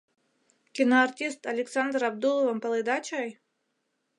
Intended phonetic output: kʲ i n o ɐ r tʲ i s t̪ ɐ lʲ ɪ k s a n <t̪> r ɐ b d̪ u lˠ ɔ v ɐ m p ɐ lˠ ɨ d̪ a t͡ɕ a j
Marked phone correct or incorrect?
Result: incorrect